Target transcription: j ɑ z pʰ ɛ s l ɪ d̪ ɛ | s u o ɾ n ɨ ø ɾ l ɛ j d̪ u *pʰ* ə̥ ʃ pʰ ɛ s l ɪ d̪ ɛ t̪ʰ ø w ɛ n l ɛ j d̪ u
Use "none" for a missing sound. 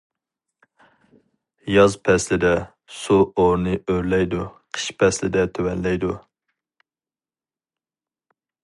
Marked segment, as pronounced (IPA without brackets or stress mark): qʰ